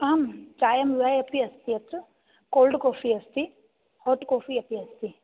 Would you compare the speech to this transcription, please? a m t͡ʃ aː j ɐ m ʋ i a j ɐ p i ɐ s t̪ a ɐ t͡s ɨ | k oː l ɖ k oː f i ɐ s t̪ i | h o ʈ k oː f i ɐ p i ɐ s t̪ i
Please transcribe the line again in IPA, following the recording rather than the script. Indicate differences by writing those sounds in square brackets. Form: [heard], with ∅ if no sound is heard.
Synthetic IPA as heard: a m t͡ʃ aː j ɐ m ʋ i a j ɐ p i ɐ s t̪ [i] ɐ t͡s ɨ | k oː l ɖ k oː f i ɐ s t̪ i | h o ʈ k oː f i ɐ p i ɐ s t̪ i